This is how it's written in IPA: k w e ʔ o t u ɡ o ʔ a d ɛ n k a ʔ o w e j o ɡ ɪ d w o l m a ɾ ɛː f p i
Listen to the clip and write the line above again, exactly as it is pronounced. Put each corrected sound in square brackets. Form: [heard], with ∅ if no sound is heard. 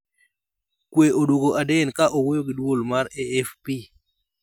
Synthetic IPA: k w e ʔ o [d] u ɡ o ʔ a d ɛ n k a ʔ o w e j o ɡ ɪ d w o l m a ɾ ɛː f p i